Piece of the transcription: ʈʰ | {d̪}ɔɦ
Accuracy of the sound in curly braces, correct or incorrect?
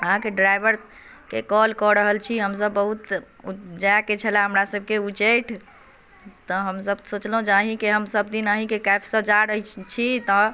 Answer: incorrect